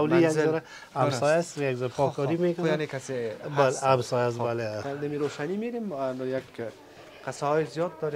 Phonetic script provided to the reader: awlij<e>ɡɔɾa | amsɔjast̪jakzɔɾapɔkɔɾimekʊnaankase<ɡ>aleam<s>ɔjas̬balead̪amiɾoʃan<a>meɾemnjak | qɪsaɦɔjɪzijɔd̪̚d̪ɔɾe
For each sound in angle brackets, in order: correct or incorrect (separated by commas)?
incorrect, incorrect, correct, incorrect